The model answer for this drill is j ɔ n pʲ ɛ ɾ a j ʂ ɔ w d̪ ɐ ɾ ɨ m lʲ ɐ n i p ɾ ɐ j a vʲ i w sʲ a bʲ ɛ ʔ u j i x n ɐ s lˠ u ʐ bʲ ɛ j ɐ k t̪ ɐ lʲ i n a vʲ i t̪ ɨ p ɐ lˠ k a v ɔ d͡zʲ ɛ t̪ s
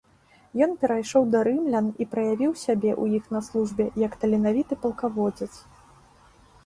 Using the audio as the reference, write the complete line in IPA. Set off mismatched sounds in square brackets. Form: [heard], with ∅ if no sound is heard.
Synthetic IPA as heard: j ɔ n pʲ ɛ ɾ a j ʂ ɔ w d̪ ɐ ɾ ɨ m lʲ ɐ n i p ɾ ɐ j a vʲ i w sʲ a bʲ ɛ ʔ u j i x n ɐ s lˠ u ʐ bʲ ɛ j ɐ k t̪ ɐ lʲ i n a vʲ i t̪ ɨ p ɐ lˠ k a v ɔ d͡zʲ ɛ t̪ s